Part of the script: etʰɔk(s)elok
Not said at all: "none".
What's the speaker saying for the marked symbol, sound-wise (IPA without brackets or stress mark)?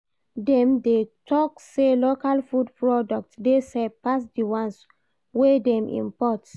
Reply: s